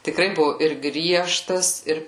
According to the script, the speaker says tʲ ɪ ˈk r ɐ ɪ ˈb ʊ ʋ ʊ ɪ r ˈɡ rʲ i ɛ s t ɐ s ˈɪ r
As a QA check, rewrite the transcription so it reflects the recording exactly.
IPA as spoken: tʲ ɪ ˈk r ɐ ɪ ˈb ʊ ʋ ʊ ɪ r ˈɡ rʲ i ɛ ʃ t ɐ s ˈɪ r